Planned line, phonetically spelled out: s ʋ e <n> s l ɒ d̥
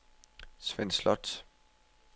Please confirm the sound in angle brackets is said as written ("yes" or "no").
yes